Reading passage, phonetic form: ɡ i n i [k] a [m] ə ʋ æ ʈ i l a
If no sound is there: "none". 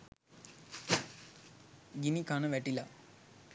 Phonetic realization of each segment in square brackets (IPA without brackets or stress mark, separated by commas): k, n